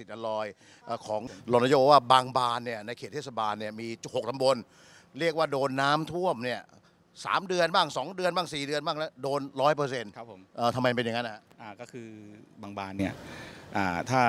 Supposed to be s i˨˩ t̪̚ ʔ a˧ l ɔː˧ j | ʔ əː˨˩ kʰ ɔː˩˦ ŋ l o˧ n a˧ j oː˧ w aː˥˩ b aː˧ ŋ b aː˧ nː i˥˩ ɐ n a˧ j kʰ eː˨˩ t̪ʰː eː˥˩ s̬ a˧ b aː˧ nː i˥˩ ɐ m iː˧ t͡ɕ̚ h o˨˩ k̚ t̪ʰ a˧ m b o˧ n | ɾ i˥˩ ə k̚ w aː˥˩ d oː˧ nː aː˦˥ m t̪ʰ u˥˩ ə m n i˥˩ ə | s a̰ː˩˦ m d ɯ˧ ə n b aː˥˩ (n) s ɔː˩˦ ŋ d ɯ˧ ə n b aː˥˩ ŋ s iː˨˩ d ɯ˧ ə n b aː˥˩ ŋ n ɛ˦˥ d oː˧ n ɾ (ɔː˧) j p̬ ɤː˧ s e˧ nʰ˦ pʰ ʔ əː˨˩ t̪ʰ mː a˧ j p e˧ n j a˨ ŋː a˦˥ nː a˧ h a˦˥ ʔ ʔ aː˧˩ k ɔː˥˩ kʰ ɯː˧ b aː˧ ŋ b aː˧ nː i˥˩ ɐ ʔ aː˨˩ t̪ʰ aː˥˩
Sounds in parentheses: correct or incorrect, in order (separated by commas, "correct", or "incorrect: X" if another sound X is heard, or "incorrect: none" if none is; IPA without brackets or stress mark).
incorrect: ŋ, incorrect: ɔː˦˥